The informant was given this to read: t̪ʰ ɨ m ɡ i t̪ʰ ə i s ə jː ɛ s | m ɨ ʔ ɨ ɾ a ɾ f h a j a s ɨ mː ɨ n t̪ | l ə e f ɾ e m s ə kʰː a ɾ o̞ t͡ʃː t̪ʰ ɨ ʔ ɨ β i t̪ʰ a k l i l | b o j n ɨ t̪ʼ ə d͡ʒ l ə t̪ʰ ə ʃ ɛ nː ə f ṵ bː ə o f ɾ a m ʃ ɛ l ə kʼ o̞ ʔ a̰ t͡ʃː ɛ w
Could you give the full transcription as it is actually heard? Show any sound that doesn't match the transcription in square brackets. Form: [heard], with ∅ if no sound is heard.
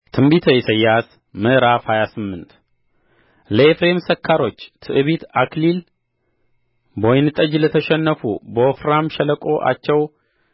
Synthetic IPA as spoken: t̪ʰ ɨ m [b] i t̪ʰ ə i s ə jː [a] s | m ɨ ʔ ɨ ɾ a [∅] f h a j a s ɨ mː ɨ n t̪ | l ə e f ɾ e m s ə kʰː a ɾ o̞ t͡ʃː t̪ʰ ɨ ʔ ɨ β i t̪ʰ a k l i l | b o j n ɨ t̪ʼ ə d͡ʒ l ə t̪ʰ ə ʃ ɛ nː ə f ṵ [b] ə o f ɾ a m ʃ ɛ l ə kʼ o̞ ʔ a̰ t͡ʃː ɛ w